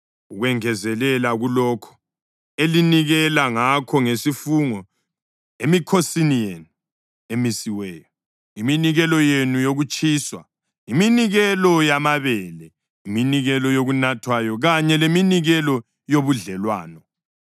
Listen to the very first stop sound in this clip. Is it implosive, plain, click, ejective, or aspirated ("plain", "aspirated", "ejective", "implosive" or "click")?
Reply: aspirated